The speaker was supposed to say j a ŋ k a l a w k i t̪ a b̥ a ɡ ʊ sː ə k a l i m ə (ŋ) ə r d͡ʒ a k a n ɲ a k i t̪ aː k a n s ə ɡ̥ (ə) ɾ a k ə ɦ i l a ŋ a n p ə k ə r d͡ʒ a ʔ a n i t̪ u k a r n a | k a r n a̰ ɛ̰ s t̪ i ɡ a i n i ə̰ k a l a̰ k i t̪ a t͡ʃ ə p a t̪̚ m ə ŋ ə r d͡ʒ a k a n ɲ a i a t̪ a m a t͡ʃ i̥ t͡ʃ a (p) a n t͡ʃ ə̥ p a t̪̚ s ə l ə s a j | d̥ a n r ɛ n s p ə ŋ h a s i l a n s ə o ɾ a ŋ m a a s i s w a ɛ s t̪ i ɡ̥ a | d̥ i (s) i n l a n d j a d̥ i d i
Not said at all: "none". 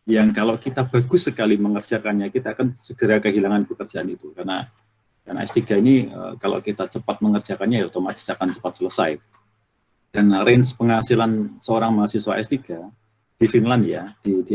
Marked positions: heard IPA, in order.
ŋ, ə, k, f

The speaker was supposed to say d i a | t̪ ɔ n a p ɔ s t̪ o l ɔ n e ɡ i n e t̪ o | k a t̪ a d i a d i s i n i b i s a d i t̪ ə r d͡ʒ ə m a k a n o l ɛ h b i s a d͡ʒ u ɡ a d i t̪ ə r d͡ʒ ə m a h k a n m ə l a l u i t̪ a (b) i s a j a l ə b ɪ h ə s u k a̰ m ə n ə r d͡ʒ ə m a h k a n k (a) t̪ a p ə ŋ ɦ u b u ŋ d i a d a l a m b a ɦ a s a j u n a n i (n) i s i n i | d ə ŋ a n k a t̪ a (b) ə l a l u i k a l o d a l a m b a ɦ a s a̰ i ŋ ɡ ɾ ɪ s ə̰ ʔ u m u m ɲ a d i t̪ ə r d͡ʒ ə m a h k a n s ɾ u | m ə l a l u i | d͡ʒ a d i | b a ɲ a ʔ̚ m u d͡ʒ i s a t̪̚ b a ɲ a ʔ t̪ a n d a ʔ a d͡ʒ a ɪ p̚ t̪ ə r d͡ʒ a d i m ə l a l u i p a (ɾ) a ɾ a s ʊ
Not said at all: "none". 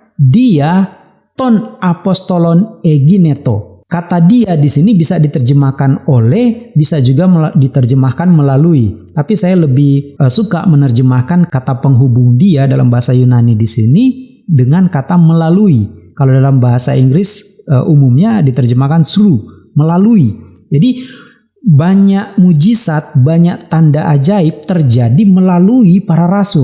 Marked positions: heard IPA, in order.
p, a, d, m, ɾ

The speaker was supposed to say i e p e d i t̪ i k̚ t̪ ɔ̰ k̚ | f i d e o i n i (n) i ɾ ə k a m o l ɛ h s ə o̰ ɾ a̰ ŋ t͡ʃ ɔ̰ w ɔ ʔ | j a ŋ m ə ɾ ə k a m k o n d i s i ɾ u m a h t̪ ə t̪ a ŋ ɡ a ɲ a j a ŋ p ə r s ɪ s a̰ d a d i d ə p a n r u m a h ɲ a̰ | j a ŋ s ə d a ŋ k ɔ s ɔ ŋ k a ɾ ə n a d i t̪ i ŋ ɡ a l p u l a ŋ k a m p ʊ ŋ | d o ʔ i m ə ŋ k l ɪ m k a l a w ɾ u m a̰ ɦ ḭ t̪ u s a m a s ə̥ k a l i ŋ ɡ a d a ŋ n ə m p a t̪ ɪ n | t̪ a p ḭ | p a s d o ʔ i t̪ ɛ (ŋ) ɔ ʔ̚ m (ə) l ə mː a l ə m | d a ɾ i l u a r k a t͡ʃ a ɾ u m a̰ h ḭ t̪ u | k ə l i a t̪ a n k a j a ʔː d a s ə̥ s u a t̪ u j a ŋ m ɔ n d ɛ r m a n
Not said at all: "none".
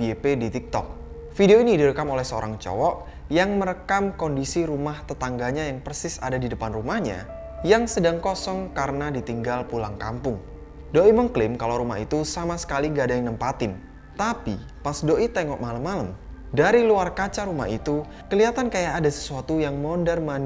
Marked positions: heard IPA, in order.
d, ŋ, a

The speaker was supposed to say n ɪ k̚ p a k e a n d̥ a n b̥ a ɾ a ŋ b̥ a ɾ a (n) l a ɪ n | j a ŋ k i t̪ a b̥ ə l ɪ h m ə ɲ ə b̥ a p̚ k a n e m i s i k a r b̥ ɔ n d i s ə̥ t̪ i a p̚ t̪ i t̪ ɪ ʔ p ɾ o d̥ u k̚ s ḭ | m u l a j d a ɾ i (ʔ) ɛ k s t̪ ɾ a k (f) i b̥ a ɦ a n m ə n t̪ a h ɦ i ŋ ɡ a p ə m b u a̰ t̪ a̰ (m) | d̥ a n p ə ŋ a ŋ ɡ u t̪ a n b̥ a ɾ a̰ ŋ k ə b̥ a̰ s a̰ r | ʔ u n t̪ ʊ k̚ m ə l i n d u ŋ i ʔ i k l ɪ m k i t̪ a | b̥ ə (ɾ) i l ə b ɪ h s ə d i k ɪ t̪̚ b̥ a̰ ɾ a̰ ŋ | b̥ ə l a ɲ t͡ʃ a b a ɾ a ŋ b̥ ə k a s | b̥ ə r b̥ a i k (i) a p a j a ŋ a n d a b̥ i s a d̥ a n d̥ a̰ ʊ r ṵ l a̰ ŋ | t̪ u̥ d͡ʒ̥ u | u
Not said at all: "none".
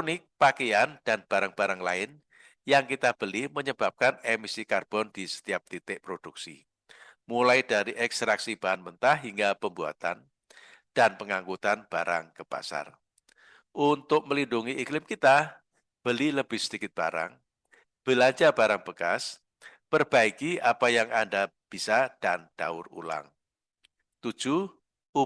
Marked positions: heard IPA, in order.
ŋ, ʔ, s, n, l, i

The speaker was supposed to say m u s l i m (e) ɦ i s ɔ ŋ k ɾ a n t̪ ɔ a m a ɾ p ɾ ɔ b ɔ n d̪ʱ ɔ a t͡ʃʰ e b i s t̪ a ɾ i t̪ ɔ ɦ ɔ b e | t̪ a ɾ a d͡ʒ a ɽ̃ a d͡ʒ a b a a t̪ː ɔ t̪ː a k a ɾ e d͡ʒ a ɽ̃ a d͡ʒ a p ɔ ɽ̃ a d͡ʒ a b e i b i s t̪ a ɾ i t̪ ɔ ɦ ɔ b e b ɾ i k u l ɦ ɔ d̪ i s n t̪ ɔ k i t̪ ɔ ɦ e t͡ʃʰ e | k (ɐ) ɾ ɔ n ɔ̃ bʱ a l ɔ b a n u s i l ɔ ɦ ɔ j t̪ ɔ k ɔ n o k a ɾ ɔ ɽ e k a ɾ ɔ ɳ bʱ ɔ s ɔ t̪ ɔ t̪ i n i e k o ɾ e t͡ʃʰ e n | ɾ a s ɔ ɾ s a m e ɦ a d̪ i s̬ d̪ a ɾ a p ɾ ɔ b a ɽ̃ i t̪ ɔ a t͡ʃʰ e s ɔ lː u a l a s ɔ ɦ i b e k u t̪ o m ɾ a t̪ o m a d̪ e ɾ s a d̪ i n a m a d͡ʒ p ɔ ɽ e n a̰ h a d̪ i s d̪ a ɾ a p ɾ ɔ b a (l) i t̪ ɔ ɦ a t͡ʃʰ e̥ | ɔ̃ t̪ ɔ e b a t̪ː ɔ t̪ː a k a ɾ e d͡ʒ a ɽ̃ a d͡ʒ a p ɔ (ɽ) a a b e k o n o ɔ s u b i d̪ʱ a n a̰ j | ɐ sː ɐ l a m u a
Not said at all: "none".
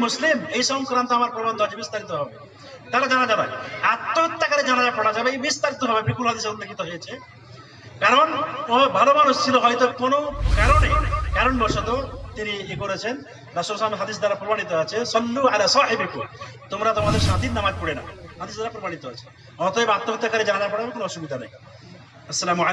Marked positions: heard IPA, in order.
e, a, ɽ, ɽ

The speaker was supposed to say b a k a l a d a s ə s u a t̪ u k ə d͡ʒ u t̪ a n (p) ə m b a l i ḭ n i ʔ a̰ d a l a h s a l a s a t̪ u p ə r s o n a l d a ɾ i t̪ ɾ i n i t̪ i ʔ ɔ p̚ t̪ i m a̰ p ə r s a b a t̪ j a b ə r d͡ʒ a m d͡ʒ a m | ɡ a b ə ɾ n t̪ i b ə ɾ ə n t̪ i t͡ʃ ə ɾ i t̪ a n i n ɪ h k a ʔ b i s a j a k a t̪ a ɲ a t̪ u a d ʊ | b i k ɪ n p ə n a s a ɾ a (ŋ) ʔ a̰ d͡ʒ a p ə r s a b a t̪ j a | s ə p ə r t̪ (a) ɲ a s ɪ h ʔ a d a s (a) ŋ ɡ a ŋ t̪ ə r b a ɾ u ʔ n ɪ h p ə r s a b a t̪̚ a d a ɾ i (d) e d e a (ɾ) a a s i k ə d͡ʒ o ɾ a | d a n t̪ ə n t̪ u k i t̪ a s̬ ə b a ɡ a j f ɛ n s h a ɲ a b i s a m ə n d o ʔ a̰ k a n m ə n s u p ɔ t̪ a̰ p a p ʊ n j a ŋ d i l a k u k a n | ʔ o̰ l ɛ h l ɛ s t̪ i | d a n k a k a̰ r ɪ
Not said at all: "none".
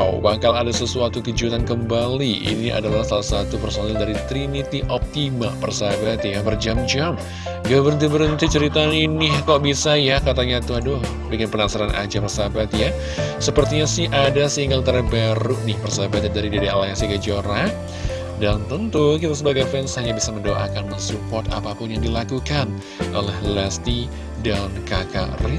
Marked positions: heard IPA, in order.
k, n, i, i, d, l

